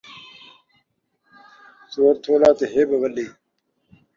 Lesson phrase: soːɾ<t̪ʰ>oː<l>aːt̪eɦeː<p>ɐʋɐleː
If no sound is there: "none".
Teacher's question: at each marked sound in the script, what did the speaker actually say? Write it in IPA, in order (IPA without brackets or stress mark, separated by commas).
t̪ʰ, l, b